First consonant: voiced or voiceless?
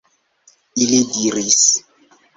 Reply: voiced